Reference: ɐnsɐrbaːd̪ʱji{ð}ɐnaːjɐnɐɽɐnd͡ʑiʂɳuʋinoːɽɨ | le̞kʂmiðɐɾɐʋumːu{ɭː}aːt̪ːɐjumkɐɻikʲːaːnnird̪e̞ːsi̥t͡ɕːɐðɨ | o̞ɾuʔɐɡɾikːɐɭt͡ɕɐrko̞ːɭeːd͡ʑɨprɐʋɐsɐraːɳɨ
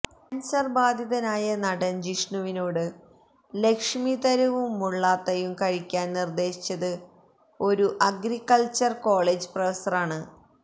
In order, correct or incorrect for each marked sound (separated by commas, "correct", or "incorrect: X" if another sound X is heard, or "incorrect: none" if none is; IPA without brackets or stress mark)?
correct, correct